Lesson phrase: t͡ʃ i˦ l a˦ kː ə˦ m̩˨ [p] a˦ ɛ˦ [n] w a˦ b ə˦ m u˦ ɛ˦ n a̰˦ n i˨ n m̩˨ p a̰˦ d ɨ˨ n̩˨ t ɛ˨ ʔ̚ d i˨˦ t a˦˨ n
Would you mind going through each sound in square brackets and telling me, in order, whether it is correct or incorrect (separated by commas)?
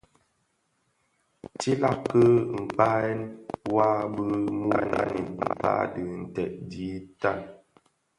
correct, correct